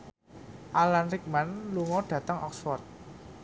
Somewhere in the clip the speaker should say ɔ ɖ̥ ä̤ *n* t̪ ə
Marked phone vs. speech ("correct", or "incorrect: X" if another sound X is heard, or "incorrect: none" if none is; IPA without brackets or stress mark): incorrect: none